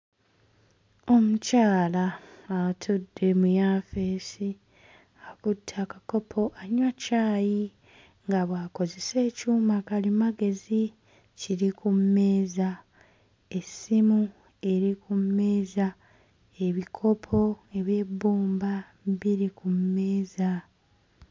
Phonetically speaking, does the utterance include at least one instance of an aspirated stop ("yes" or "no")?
yes